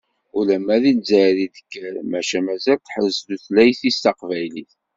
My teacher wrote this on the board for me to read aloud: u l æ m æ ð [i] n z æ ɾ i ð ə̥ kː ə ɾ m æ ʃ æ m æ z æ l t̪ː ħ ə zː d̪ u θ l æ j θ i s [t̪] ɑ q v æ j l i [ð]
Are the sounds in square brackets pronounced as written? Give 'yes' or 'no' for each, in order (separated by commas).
yes, yes, no